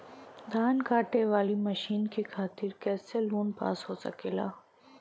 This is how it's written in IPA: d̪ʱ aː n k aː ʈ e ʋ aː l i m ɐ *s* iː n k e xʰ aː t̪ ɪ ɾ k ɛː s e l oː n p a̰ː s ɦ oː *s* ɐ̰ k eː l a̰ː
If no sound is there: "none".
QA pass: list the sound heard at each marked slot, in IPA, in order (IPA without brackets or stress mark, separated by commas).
ʃ, s